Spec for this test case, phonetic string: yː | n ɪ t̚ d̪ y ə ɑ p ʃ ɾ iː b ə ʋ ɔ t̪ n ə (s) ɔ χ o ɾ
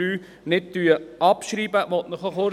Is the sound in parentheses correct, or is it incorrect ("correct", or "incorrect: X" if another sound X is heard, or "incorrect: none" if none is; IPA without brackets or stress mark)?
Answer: incorrect: χ